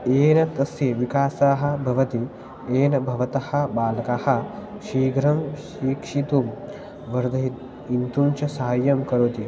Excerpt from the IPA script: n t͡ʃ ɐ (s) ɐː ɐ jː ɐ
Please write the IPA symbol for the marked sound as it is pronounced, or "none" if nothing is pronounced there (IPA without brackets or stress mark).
s